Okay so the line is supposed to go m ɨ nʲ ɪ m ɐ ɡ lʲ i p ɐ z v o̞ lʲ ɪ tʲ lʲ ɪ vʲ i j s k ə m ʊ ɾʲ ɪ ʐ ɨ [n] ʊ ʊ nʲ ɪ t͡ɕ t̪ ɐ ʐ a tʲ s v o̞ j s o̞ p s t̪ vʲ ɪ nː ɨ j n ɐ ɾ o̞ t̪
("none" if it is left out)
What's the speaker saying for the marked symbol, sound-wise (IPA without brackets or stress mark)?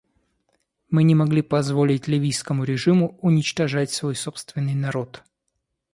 m